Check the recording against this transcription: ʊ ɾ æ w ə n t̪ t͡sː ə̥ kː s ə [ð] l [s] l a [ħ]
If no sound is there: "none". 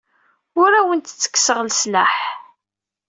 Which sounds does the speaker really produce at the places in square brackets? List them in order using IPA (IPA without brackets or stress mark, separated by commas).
ʁ, s, ħ